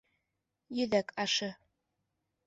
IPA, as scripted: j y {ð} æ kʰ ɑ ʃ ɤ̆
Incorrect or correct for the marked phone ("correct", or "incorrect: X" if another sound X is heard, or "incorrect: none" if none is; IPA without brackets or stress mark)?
correct